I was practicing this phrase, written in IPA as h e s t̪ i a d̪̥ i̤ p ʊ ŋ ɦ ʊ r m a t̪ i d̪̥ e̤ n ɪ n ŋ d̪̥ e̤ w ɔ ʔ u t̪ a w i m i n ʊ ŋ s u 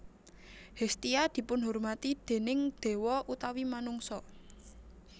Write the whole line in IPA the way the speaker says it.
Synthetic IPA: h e s t̪ i a d̪̥ i̤ p ʊ n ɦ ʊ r m a t̪ i d̪̥ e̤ n ɪ ŋ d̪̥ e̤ w ɔ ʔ u t̪ a w i m a n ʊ ŋ s ɔ